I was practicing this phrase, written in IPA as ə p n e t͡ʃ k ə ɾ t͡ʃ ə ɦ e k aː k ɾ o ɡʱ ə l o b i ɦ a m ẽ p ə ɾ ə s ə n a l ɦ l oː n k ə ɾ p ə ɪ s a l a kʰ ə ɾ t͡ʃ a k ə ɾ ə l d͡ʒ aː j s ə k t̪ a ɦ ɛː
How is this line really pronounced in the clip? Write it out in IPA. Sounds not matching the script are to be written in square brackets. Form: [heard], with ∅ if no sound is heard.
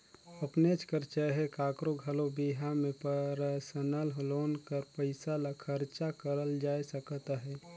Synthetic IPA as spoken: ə p n e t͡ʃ k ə ɾ t͡ʃ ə ɦ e k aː k ɾ o ɡʱ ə l o b i ɦ a m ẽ p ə ɾ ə s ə n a l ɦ l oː n k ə ɾ p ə ɪ s a l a kʰ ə ɾ t͡ʃ a k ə ɾ ə l d͡ʒ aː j s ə k t̪ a ɦ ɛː

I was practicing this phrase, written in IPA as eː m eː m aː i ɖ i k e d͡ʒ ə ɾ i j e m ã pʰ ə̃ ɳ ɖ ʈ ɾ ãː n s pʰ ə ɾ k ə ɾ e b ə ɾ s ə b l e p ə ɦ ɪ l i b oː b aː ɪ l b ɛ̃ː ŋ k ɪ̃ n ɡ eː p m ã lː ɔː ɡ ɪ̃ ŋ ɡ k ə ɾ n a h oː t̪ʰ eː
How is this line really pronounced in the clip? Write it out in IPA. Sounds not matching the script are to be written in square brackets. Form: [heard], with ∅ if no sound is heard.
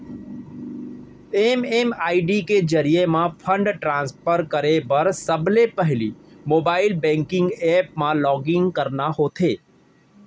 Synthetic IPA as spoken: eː m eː m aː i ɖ i k e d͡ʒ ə ɾ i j e m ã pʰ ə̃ ɳ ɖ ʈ ɾ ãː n s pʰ ə ɾ k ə ɾ e b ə ɾ s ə b l e p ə ɦ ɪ l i [m] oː b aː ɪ l b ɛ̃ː ŋ k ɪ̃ [ŋ] ɡ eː p m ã [l] ɔː ɡ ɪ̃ ŋ ɡ k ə ɾ n a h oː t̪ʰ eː

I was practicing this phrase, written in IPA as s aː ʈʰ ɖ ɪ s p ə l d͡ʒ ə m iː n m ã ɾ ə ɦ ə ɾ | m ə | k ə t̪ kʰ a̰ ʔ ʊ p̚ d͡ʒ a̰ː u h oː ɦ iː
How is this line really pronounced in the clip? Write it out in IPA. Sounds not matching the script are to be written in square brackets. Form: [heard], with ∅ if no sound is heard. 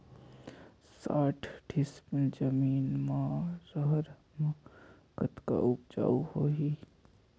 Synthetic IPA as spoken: s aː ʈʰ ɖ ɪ s p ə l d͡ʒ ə m iː n m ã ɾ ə ɦ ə ɾ | m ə | k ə t̪ [k] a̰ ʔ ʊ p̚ d͡ʒ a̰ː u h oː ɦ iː

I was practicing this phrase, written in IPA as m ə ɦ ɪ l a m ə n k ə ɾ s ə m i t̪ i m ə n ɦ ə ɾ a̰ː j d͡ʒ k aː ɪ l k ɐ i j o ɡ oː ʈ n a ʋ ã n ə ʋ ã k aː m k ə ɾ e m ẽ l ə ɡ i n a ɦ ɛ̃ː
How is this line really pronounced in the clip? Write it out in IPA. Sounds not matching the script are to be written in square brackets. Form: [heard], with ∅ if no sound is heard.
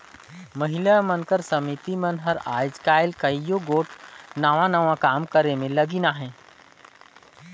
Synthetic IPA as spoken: m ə ɦ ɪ l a m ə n k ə ɾ s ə m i t̪ i m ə n ɦ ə ɾ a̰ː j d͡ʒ k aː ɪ l k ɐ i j o ɡ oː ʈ n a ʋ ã n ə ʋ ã k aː m k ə ɾ e m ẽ l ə ɡ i n a ɦ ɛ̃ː

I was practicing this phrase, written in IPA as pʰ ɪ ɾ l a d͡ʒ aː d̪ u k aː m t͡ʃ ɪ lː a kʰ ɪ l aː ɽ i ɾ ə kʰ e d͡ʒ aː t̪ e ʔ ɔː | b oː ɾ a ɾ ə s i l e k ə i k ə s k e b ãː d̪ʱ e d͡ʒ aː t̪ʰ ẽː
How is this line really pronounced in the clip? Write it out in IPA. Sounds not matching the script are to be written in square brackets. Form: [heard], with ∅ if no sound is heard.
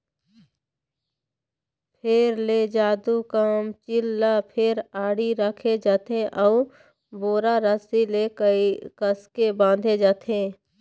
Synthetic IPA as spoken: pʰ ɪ ɾ l [e] d͡ʒ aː d̪ u k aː m t͡ʃ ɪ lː a [pʰ] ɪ [ɾ] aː ɽ i ɾ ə kʰ e d͡ʒ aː t̪ e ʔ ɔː | b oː ɾ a ɾ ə s i l e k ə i k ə s k e b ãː d̪ʱ e d͡ʒ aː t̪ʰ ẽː

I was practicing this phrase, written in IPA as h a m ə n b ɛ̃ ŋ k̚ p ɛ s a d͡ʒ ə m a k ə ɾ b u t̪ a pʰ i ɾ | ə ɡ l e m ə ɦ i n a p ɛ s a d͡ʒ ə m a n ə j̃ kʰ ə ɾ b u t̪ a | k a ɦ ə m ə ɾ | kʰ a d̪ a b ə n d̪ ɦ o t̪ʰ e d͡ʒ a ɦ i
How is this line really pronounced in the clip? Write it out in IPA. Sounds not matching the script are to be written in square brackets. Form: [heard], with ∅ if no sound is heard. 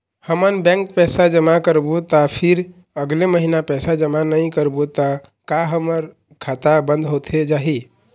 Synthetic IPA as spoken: h [ə] m ə n b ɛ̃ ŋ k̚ p ɛ s a d͡ʒ ə m a k ə ɾ b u t̪ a pʰ i ɾ | ə ɡ l e m ə ɦ i n a p ɛ s a d͡ʒ ə m a n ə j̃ [k] ə ɾ b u t̪ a | k a ɦ ə m ə ɾ | kʰ a [t̪] a b ə n d̪ ɦ o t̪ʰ e d͡ʒ a ɦ i

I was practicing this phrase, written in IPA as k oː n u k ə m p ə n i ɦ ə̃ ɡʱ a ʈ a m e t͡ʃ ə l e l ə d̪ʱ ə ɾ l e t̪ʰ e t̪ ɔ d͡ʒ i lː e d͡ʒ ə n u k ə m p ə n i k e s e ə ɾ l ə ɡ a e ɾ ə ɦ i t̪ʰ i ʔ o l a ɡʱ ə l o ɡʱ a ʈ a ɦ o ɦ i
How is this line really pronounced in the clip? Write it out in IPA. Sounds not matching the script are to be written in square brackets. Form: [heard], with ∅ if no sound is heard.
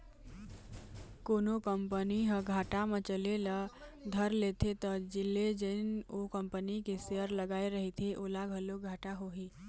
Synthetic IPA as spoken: k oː n [o] k ə m p ə n i ɦ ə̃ ɡʱ a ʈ a m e t͡ʃ ə l e l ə d̪ʱ ə ɾ l e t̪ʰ e t̪ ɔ d͡ʒ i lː e d͡ʒ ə n [o] k ə m p ə n i k e s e ə ɾ l ə ɡ a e ɾ ə ɦ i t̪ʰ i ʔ o l a ɡʱ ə l o ɡʱ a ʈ a ɦ o ɦ i

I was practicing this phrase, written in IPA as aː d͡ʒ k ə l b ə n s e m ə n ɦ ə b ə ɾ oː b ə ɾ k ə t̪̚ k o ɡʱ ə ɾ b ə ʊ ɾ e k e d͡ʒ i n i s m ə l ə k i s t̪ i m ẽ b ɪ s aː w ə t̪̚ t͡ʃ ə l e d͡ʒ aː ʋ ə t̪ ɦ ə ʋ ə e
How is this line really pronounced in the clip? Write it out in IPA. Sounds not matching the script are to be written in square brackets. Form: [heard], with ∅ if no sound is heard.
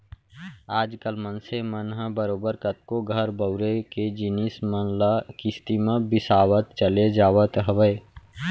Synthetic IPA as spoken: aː d͡ʒ k ə l [m] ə n s e m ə n ɦ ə b ə ɾ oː b ə ɾ k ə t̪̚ k o ɡʱ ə ɾ b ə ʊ ɾ e k e d͡ʒ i n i s m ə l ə k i s t̪ i m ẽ b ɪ s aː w ə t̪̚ t͡ʃ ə l e d͡ʒ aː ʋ ə t̪ ɦ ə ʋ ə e

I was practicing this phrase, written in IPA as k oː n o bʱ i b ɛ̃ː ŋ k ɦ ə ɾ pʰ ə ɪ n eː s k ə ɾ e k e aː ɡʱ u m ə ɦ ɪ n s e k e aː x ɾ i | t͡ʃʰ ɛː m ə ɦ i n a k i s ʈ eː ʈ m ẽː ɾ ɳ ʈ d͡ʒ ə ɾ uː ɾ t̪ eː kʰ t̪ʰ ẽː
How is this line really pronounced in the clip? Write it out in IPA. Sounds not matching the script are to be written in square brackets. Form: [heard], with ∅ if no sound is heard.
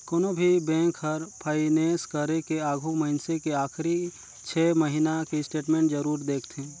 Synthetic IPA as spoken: k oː n o bʱ i b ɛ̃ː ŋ k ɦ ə ɾ pʰ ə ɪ n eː s k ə ɾ e k e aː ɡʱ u m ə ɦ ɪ n s e k e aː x ɾ i | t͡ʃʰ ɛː m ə ɦ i n a k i s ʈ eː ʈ m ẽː [∅] ɳ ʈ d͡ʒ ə ɾ uː ɾ [d̪] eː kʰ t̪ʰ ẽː

